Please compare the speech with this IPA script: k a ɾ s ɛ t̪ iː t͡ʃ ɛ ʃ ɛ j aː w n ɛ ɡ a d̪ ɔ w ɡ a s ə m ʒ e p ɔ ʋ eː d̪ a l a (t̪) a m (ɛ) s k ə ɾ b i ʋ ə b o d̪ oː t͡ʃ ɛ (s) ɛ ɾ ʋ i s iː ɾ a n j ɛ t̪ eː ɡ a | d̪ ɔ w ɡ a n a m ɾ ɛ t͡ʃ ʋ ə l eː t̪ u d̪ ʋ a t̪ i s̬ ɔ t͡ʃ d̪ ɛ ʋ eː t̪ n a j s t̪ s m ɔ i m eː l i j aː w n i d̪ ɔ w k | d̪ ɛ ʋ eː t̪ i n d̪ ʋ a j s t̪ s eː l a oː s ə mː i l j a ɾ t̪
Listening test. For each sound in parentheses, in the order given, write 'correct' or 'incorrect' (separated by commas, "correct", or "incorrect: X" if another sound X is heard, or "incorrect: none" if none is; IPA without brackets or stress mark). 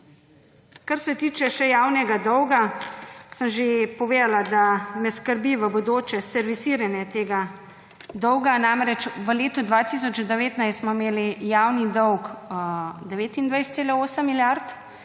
incorrect: d̪, correct, correct